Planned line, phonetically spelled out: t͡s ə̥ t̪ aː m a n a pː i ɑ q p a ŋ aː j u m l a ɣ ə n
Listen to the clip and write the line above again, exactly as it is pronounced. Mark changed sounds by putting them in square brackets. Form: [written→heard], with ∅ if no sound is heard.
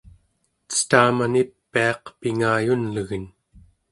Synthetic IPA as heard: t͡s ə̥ t̪ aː m a n [a→i] pː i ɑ q p [a→i] ŋ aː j u [m→n] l [a→ə] ɣ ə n